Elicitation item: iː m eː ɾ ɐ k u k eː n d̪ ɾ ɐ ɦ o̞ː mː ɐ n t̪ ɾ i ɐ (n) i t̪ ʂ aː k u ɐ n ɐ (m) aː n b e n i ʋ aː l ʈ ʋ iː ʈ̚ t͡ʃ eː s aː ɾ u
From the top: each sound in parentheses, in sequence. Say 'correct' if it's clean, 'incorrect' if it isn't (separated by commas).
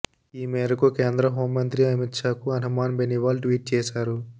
incorrect, correct